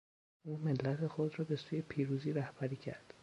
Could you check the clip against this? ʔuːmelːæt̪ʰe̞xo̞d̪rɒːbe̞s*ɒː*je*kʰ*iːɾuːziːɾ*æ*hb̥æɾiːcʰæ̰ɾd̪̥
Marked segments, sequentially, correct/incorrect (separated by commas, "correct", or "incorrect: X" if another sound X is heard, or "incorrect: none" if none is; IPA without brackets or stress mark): incorrect: uː, incorrect: pʰ, correct